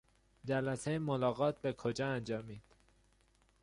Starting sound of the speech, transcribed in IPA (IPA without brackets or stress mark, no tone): d͡ʒ